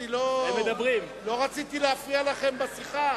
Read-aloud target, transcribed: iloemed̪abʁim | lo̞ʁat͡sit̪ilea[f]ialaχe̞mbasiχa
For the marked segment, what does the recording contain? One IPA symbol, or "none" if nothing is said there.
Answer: f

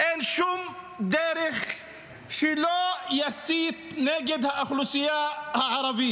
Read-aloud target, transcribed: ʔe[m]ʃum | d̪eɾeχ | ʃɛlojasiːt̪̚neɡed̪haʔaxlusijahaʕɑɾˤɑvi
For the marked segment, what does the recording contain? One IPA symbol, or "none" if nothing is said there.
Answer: n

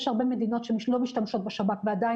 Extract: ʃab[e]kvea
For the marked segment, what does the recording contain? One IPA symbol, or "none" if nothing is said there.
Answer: a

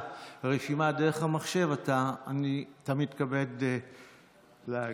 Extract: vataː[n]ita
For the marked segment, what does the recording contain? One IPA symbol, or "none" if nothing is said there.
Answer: n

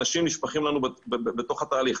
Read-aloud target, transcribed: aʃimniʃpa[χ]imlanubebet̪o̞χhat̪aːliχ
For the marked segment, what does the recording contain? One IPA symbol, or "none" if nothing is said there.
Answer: χ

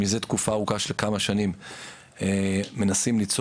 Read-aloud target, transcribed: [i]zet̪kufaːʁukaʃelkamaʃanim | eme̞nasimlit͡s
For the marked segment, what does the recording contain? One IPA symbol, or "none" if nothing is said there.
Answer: i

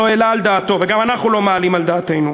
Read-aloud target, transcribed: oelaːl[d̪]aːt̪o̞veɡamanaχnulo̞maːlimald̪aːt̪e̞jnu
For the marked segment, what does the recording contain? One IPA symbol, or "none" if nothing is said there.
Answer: d̪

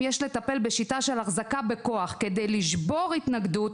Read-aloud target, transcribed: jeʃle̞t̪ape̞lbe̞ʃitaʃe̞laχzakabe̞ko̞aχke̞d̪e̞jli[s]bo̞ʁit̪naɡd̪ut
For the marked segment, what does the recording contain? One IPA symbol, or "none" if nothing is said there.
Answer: ʃ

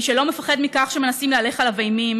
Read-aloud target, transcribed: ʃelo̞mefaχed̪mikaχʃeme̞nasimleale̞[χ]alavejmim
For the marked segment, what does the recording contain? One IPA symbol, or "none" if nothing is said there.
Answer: χ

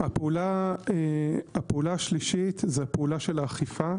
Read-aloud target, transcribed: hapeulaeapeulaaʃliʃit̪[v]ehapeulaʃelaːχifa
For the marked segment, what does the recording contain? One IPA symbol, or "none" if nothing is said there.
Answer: z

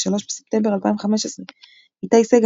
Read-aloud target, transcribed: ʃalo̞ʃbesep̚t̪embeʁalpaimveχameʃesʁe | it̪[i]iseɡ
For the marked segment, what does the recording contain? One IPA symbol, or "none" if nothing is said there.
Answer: a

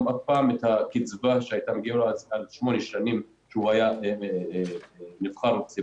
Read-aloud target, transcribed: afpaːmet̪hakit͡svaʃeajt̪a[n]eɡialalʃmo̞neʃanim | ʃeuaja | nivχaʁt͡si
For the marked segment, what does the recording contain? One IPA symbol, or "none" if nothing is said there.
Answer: m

